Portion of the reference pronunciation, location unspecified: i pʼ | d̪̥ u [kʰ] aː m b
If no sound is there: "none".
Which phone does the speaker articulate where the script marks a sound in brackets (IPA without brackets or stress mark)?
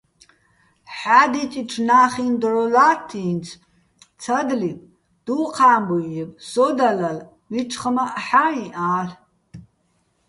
qʰ